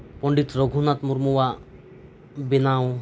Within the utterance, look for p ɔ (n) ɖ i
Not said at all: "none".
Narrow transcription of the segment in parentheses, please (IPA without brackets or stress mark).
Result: ɳ